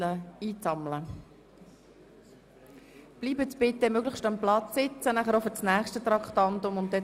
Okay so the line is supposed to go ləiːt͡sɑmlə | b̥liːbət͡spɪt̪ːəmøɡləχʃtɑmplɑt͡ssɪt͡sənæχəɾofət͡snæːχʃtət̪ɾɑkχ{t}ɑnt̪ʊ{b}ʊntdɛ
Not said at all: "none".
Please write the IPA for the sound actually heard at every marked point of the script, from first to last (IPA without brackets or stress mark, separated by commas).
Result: t, m